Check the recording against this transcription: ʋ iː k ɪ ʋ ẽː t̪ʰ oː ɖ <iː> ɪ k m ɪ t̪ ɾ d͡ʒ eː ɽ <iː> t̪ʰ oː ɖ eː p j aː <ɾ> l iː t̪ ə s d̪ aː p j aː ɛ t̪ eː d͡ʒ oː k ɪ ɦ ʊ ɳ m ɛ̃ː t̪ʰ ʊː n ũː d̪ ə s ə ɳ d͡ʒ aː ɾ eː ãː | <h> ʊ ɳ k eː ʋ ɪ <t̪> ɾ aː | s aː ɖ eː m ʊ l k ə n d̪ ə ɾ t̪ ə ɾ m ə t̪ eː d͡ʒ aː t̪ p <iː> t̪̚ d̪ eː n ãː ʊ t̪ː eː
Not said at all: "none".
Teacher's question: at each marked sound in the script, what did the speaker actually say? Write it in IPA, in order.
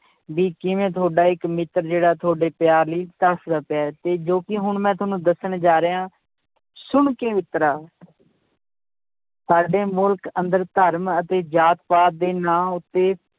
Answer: aː, aː, ɾ, s, t̪, aː

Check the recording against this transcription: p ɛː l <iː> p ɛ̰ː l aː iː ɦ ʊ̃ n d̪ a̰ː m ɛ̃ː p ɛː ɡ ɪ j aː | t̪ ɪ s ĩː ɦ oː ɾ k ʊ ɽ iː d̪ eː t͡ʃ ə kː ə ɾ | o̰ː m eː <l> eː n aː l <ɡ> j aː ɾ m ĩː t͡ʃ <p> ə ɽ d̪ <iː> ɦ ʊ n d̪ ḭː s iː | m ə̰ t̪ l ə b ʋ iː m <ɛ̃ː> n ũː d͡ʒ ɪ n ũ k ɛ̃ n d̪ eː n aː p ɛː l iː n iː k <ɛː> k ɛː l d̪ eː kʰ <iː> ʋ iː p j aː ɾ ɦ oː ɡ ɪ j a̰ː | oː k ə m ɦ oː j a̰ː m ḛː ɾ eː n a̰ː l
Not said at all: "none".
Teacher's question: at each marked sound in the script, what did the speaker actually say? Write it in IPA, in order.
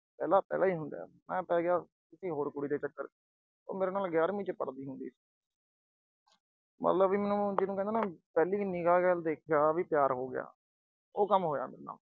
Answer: aː, ɾ, ɡ, p, iː, ɛː, aː, aː

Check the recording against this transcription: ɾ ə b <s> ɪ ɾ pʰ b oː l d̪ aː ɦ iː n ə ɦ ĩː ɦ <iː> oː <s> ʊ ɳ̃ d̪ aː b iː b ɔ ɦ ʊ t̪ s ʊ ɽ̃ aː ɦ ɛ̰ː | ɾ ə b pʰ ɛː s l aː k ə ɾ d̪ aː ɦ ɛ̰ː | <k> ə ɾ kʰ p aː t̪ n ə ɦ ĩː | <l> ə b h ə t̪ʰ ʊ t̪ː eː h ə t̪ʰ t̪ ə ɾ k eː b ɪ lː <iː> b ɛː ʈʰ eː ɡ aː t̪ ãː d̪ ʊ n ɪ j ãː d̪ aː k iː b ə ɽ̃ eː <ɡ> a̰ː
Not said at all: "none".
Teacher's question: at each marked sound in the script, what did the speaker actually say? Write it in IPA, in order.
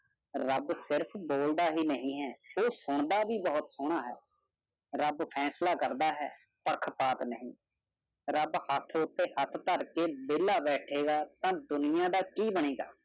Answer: s, ɛː, s, p, ɾ, aː, ɡ

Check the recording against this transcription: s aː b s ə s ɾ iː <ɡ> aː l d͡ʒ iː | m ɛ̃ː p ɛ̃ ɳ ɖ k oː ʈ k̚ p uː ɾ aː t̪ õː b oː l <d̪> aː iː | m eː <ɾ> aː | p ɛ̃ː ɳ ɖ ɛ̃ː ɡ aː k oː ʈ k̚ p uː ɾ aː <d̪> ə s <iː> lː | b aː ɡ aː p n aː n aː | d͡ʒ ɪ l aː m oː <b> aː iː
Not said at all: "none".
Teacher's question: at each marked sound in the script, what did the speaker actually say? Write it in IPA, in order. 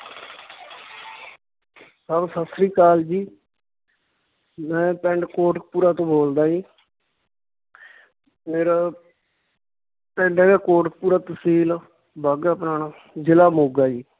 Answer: k, d̪, ɾ, t̪, iː, ɡ

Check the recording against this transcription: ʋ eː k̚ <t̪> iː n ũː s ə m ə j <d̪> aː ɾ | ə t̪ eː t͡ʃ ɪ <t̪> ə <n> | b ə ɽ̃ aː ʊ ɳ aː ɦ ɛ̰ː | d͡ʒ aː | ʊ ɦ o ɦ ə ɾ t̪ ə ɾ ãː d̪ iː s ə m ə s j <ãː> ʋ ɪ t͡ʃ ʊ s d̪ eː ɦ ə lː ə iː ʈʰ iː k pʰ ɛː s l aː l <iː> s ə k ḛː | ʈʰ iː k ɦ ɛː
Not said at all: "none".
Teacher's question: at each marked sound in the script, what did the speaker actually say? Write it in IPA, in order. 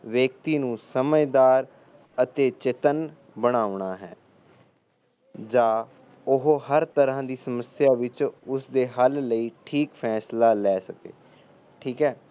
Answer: t̪, d̪, t̪, n, aː, ɛː

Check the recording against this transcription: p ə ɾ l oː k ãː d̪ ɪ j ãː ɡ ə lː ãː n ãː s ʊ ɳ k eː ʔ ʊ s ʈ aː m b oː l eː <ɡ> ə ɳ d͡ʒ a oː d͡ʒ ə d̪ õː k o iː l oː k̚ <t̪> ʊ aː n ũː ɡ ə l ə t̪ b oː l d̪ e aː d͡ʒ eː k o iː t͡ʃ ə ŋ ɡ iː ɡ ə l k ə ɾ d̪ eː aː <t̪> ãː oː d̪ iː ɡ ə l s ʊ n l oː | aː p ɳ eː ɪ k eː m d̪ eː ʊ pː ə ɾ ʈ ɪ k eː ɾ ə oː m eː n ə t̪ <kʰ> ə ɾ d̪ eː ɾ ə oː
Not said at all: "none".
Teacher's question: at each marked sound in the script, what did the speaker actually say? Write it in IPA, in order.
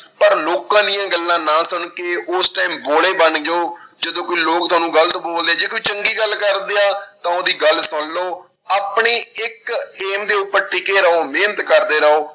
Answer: b, t̪, t̪, k

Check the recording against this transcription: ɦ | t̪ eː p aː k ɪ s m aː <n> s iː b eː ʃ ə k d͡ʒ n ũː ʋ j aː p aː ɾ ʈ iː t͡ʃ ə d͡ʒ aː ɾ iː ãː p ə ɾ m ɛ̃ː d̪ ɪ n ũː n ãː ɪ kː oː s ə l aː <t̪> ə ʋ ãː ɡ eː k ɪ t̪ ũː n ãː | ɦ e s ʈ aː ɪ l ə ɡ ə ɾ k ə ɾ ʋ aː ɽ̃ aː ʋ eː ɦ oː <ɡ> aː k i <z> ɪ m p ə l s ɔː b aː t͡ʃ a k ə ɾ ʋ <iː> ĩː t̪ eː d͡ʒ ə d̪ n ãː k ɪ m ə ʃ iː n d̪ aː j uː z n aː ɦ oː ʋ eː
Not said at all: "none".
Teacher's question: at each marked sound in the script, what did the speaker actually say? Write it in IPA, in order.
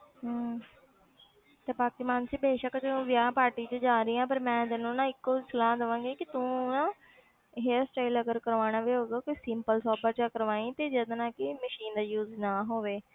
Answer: n, d̪, ɡ, s, aː

